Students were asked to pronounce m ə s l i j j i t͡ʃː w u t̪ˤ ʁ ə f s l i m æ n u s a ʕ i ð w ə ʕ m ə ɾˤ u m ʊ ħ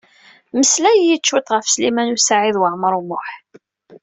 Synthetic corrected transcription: m ə s l æ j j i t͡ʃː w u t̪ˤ ʁ ə f s l i m æ n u s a ʕ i ð w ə ʕ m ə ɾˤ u m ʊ ħ